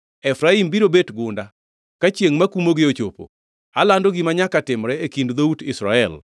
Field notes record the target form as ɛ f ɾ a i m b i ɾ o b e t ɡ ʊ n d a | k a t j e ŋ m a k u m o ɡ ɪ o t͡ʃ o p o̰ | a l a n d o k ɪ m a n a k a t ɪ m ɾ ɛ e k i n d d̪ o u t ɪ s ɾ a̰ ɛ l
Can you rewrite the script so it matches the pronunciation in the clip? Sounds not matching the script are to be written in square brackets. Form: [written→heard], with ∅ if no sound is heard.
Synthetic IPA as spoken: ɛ f ɾ a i m b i ɾ o b e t ɡ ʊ n d a | k a [t→t͡ʃ] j e ŋ m a k u m o ɡ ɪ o t͡ʃ o p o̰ | a l a n d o [k→ɡ] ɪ m a [n→ɲ] a k a t ɪ m ɾ ɛ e k i n d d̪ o u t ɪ s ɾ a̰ ɛ l